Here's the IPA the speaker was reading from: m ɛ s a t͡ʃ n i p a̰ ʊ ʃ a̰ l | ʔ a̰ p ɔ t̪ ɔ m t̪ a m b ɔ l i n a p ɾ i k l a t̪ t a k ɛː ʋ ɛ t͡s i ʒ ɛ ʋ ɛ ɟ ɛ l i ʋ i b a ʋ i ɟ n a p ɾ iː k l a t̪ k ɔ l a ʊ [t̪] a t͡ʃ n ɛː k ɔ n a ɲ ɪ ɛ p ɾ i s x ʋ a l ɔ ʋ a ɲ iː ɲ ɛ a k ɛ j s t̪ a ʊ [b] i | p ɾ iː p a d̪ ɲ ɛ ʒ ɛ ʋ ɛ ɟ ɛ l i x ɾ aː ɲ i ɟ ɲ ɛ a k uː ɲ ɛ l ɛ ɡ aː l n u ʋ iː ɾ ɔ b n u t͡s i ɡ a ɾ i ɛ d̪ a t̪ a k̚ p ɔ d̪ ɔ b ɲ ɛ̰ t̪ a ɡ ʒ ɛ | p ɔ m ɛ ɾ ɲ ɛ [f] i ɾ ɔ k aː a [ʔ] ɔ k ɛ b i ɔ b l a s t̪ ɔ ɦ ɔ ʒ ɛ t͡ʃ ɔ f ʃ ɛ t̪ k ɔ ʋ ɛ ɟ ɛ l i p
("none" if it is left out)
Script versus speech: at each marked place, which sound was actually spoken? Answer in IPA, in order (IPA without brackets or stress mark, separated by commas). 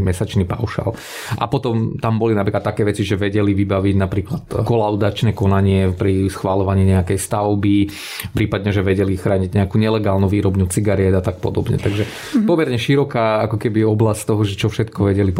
d̪, b, ʃ, k